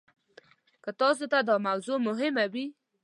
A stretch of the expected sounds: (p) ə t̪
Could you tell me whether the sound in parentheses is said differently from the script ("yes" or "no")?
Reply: yes